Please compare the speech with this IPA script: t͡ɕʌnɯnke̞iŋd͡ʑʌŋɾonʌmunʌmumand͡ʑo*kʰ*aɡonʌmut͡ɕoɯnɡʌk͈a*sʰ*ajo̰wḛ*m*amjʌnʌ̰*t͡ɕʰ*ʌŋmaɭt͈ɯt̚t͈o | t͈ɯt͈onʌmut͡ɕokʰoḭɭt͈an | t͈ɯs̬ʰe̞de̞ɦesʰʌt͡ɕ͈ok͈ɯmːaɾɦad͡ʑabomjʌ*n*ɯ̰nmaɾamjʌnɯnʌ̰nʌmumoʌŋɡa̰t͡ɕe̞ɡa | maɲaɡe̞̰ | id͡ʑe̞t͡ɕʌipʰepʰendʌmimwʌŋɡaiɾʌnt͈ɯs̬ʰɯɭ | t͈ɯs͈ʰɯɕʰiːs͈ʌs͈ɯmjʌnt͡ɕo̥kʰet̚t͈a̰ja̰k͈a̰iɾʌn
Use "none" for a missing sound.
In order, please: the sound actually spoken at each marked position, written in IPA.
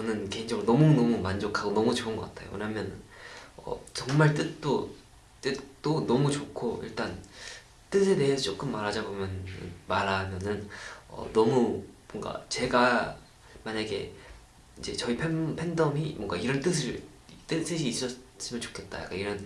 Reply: kʰ, tʰ, ɲ, t͡ɕ, n

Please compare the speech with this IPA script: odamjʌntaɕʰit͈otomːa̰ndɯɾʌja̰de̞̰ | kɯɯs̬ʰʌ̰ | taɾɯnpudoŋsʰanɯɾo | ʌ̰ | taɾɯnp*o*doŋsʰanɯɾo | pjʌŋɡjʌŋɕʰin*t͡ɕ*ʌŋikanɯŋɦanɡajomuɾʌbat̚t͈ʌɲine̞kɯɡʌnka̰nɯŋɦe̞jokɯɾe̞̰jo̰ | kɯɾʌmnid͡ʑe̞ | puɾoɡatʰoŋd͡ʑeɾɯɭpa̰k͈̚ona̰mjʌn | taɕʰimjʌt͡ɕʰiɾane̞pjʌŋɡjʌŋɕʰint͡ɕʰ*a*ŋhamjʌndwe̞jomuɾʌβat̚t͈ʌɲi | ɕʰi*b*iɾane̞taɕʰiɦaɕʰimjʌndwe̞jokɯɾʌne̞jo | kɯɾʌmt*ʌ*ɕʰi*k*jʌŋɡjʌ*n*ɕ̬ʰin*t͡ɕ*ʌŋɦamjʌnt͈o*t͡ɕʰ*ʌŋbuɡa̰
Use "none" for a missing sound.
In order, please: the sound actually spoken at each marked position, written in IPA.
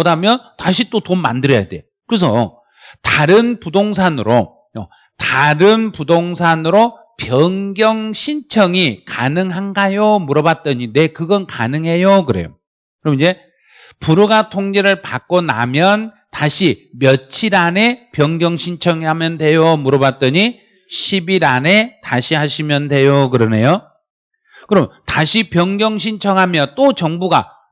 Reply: u, t͡ɕʰ, ʌ, b, a, p, ŋ, t͡ɕʰ, t͡ɕ

